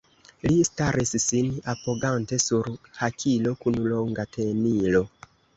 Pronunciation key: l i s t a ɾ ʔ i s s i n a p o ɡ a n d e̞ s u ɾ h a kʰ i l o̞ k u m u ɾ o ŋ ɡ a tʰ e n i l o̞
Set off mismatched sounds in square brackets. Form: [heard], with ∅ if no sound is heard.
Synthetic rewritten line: l i s t a ɾ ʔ i s s i n a p o ɡ a n [t] e̞ s u ɾ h a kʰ i l o̞ k u [n] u [l] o ŋ ɡ a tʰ e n i l o̞